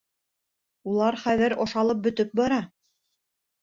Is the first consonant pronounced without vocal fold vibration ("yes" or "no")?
no